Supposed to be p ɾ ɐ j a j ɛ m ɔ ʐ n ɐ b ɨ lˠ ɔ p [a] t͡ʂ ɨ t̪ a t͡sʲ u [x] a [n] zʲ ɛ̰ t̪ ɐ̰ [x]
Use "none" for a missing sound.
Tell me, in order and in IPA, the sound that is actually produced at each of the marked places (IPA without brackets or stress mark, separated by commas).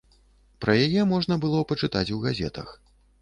ɐ, ɣ, none, x